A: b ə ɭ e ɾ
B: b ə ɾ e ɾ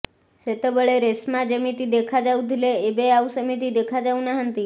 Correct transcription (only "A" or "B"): A